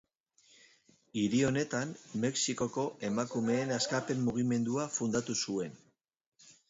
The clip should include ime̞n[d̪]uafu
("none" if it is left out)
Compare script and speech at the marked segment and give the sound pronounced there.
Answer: d̪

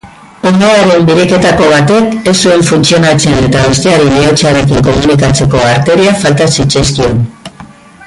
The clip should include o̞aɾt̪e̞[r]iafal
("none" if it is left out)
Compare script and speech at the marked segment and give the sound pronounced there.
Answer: ɾ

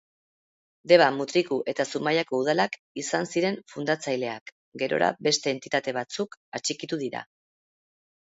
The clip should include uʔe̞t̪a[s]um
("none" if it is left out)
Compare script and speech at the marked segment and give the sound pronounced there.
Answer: s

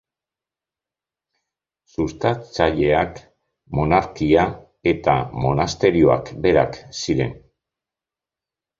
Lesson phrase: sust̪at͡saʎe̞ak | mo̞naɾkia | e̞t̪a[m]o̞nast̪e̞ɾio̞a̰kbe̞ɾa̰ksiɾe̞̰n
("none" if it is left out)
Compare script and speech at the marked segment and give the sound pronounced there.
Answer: m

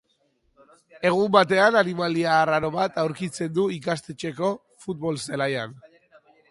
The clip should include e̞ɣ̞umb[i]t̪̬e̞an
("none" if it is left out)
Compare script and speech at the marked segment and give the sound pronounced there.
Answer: a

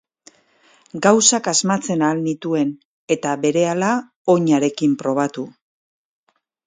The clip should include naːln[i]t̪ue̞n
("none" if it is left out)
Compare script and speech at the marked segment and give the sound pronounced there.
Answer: i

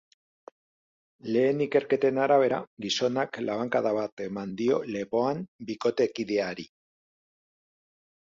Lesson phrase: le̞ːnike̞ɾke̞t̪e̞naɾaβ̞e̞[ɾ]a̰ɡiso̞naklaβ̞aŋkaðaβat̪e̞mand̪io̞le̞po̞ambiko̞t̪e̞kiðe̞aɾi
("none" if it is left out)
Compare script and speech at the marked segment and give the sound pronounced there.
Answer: ɾ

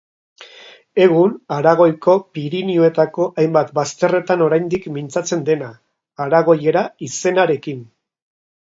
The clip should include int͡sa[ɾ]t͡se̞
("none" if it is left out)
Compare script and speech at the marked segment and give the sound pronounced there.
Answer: none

